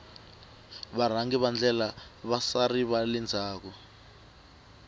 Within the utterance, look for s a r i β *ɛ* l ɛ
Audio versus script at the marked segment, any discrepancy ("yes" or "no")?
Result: yes